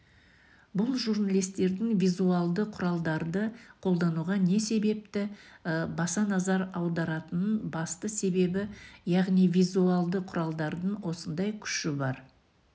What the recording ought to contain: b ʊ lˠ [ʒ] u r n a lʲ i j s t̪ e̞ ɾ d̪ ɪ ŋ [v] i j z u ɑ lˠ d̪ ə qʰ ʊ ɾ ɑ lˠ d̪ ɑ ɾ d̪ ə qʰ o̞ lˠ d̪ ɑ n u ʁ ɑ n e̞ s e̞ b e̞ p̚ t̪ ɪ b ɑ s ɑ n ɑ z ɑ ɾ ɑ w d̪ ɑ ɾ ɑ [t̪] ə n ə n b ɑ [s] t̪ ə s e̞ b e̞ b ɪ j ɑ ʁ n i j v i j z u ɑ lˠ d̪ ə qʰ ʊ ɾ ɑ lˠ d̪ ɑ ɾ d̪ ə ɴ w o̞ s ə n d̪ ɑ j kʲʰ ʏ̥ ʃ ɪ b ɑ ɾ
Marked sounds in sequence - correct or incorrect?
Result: correct, correct, correct, correct

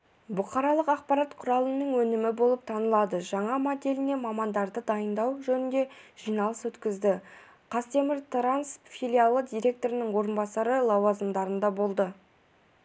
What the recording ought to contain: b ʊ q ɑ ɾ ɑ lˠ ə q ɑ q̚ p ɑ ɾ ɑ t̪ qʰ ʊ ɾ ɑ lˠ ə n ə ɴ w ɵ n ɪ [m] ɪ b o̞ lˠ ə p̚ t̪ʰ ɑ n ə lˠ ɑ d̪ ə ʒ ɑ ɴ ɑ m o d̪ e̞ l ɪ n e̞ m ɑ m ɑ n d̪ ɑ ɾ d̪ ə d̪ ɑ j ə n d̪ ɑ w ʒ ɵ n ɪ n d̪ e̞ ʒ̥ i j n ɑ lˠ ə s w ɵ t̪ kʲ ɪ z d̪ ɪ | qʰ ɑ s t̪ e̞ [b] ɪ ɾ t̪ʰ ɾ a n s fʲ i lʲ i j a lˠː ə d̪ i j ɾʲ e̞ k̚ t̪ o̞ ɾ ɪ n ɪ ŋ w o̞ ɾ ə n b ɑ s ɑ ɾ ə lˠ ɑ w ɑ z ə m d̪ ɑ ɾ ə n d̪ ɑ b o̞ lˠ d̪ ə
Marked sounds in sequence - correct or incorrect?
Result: correct, incorrect: m

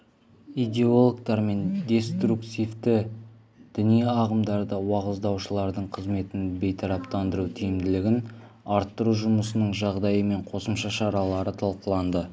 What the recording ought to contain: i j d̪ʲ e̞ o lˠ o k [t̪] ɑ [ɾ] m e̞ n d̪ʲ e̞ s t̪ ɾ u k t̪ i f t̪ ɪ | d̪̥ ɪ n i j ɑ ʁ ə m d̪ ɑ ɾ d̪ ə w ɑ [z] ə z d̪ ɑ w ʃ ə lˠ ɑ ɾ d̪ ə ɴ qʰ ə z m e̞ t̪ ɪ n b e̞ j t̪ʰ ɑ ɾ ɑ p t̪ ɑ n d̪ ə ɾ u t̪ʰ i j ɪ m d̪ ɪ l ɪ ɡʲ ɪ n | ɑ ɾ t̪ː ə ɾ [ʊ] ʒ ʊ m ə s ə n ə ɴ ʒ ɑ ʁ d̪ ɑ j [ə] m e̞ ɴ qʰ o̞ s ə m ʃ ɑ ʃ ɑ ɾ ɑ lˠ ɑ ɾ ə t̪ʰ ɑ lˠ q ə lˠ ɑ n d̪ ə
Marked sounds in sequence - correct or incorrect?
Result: correct, correct, incorrect: ʁ, incorrect: u, correct

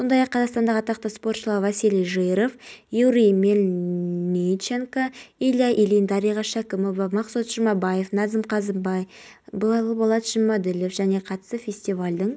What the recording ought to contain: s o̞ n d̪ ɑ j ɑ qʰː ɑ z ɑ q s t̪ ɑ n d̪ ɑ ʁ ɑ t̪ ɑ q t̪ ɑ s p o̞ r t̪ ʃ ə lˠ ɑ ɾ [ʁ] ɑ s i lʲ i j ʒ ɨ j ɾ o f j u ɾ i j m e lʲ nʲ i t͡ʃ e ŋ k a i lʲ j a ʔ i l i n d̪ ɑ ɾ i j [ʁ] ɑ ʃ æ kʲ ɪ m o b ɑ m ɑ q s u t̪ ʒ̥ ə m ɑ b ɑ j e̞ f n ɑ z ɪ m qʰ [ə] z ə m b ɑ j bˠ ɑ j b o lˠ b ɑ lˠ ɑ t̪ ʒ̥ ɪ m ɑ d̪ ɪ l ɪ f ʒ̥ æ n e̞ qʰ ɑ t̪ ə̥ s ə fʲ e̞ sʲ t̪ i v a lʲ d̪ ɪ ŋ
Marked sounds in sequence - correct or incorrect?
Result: incorrect: v, correct, incorrect: ɑ

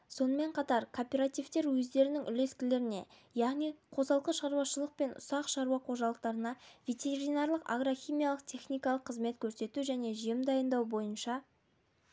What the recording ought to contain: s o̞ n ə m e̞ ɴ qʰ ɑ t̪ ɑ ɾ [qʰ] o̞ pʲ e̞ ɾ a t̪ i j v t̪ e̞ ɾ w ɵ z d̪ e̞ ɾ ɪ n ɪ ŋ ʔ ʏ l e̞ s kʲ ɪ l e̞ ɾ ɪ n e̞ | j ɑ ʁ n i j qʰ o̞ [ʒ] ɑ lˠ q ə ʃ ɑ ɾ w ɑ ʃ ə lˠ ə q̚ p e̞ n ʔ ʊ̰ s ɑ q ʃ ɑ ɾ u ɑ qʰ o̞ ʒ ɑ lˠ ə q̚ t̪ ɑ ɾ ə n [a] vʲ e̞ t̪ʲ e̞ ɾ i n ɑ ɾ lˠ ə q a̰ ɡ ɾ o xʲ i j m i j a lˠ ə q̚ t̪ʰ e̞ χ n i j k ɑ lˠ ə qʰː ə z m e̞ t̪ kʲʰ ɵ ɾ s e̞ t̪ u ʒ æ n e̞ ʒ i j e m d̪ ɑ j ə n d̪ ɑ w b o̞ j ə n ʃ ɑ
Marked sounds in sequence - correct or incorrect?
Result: incorrect: kʰ, incorrect: z, incorrect: ɑ

